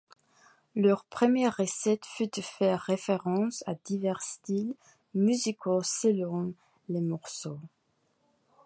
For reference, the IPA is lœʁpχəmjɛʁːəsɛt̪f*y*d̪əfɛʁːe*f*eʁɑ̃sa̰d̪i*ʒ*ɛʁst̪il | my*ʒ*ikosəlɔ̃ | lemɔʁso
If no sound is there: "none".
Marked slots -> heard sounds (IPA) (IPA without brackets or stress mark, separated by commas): y, f, v, z